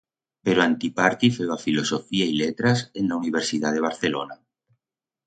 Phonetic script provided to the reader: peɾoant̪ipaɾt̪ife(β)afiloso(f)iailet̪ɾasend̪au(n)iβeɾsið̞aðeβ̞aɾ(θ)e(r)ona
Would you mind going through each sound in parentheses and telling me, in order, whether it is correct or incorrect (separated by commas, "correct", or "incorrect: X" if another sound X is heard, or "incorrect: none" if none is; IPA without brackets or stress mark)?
incorrect: w, correct, correct, correct, incorrect: l